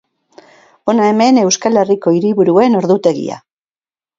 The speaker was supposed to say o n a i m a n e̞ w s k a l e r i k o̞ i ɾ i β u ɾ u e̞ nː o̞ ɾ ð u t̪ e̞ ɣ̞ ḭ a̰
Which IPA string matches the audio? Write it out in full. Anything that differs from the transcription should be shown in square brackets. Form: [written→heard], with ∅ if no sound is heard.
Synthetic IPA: o n a [i→e] m [a→e] n e̞ w s k a l e r i k o̞ i ɾ i β u ɾ u e̞ [nː→n] o̞ ɾ ð u t̪ e̞ ɣ̞ ḭ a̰